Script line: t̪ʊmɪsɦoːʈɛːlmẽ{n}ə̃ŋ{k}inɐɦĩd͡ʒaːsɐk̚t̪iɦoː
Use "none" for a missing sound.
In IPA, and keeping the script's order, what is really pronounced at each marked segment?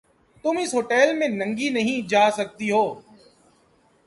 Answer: n, ɡ

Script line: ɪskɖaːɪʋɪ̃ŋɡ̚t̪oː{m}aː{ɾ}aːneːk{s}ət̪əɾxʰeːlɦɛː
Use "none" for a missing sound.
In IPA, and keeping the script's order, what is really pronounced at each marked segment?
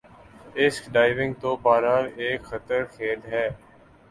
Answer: b, ɾ, x

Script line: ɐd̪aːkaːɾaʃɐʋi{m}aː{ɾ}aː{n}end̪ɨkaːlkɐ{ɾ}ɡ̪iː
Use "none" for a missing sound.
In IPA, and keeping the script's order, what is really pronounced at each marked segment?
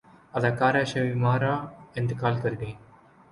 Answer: m, ɾ, none, ɾ

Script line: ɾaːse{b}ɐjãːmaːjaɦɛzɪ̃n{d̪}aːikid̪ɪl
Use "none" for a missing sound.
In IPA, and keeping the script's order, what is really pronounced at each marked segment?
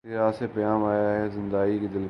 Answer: p, d̪

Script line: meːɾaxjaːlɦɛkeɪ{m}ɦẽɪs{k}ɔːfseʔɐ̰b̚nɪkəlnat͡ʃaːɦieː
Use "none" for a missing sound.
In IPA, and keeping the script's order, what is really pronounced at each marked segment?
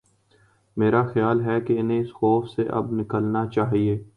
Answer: n, x

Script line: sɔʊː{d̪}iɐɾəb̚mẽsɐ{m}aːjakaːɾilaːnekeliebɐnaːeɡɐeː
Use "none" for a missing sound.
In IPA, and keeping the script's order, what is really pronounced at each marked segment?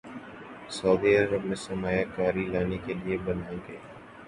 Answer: d̪, m

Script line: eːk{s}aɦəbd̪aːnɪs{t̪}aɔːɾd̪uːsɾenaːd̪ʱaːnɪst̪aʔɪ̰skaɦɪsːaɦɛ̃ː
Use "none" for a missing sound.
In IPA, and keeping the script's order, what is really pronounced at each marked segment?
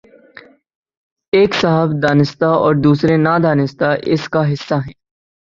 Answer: s, t̪

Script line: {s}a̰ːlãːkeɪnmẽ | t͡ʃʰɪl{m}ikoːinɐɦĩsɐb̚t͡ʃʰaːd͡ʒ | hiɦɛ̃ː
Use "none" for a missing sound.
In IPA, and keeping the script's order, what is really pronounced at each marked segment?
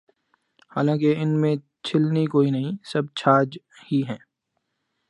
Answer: h, n

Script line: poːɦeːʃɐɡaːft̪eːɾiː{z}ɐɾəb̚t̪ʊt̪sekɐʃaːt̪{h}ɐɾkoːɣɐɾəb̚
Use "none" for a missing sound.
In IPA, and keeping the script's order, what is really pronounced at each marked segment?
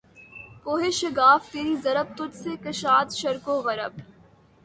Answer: z, ʃ

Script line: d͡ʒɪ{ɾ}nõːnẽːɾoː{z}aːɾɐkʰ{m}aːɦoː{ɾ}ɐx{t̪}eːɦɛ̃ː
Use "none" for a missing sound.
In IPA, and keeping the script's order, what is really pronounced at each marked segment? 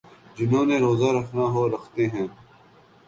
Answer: none, z, n, ɾ, t̪

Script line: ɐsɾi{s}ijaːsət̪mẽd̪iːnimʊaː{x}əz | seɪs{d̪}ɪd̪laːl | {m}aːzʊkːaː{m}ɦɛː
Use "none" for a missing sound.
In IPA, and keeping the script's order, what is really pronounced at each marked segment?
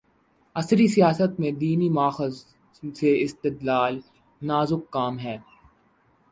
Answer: s, x, t̪, n, m

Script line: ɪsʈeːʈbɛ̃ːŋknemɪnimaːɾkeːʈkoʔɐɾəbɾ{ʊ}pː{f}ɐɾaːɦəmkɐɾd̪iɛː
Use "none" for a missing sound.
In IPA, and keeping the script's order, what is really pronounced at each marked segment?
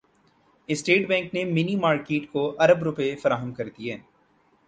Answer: ʊ, f

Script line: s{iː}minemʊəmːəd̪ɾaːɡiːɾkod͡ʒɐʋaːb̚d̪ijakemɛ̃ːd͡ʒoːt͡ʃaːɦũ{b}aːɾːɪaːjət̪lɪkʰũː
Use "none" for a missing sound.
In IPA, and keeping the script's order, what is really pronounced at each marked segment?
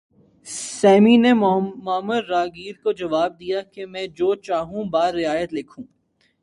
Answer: ɛː, b

